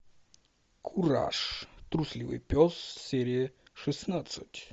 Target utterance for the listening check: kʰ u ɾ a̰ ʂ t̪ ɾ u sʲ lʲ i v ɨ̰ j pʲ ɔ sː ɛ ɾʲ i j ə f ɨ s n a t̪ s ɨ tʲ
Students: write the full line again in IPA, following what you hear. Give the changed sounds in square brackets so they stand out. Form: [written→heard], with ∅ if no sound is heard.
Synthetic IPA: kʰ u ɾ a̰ ʂ t̪ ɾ u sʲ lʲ i v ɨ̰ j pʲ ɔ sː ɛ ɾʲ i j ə [f→ʂ] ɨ s n a t̪ s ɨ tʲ